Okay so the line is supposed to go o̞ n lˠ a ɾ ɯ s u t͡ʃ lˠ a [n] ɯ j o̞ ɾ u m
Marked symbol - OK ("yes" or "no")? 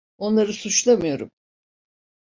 no